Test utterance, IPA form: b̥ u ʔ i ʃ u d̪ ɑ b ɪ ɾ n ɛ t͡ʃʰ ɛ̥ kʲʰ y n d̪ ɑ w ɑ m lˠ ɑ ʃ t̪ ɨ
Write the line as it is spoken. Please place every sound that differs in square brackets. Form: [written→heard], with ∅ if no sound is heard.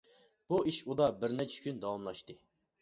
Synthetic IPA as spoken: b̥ u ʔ i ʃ u d̪ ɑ b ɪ ɾ n ɛ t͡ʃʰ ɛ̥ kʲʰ y n d̪ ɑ w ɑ m lˠ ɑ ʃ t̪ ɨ